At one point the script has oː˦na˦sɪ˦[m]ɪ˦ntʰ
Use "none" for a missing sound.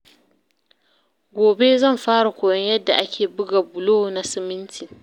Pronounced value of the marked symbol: m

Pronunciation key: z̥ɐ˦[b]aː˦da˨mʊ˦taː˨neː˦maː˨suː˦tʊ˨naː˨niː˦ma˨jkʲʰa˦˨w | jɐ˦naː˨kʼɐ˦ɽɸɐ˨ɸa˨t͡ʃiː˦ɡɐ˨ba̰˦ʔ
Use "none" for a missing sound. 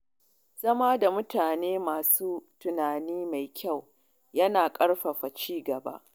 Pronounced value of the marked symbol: m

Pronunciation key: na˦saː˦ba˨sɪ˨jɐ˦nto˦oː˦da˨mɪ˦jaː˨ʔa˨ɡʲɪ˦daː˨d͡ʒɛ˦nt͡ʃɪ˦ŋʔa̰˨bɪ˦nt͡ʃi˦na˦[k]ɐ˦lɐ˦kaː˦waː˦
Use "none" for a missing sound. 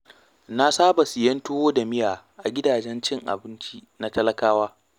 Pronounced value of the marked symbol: t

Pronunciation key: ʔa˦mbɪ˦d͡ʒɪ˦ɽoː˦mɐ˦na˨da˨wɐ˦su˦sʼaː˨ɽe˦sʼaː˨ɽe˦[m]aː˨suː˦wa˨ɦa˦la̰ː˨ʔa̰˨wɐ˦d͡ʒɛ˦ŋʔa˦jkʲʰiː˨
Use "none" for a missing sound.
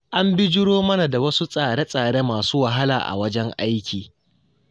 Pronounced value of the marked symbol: m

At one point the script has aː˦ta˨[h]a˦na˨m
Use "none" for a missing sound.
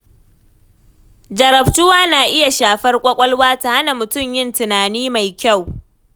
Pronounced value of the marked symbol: h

